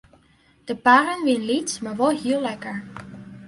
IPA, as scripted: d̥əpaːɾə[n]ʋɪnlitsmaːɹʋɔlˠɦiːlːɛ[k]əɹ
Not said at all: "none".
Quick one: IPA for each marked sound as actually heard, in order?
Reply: n, k

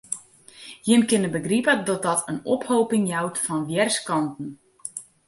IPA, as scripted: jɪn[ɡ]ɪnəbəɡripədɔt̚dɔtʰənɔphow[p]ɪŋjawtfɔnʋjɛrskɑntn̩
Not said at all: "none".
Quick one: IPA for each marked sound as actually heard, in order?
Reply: k, p

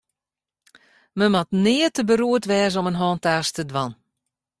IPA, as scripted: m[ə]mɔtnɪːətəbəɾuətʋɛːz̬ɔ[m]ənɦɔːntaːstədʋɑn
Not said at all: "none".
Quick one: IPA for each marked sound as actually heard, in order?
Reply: ə, m

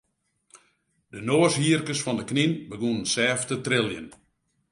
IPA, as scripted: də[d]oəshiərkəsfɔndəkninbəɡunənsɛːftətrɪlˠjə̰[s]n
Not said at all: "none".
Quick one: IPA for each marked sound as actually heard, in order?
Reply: n, none

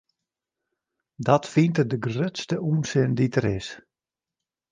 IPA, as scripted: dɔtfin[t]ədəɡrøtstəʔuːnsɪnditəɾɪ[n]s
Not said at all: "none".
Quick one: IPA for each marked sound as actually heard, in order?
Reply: t, none

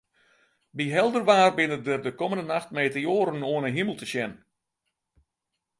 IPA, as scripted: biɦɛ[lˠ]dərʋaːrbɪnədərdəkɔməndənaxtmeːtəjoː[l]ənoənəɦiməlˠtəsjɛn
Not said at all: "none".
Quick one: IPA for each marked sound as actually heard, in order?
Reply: lˠ, ɾ

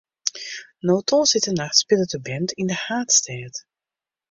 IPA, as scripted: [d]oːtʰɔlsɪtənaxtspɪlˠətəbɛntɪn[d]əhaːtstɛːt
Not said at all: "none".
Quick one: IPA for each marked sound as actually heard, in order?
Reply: n, d

